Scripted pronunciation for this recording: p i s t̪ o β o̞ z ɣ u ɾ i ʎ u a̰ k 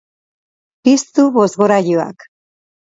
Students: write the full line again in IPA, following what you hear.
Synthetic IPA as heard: p i s t̪ u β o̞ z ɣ o ɾ a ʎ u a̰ k